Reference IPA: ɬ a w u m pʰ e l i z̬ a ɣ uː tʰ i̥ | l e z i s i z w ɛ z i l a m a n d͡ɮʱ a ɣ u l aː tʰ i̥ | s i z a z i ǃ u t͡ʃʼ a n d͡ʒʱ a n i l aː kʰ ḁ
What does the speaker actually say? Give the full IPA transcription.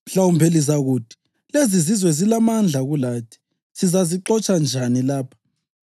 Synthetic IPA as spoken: ɬ a w u m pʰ e l i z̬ a ɣ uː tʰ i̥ | l e z i z i z w ɛ z i l a m a n d͡ɮʱ a ɣ u l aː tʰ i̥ | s i z a z i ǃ ɔ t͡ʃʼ a n d͡ʒʱ a n i l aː pʰ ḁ